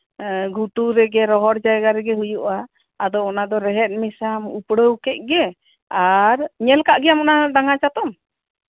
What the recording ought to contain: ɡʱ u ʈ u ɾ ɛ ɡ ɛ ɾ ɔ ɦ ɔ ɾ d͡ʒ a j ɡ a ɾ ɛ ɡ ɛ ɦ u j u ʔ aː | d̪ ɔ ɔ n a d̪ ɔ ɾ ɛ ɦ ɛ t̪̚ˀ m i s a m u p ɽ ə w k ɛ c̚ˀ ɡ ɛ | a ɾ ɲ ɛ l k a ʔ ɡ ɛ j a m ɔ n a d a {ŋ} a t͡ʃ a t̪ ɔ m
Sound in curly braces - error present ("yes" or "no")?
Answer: no